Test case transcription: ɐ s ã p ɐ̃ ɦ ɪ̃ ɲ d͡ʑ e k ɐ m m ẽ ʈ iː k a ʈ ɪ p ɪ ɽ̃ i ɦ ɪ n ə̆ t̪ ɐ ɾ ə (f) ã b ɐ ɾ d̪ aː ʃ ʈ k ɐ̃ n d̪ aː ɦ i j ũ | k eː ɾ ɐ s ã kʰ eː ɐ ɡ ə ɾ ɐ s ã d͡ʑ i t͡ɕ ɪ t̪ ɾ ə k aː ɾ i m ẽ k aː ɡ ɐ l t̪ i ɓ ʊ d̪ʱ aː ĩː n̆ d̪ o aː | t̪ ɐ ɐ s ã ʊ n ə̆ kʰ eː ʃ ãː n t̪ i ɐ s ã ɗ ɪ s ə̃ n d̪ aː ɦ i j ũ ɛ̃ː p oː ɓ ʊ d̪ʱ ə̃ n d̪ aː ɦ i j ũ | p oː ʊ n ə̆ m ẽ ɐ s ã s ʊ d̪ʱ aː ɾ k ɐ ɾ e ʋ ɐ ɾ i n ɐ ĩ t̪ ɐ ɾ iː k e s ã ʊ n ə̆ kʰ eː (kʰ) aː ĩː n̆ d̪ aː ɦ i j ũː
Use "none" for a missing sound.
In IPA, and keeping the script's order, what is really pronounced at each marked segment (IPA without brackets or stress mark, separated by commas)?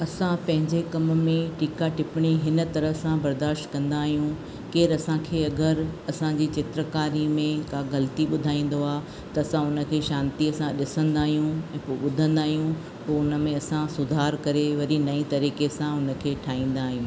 s, ʈʰ